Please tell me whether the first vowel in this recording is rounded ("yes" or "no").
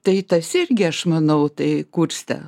no